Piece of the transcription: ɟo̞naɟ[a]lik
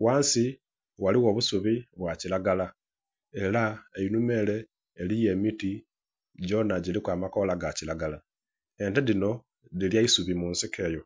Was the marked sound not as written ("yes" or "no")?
yes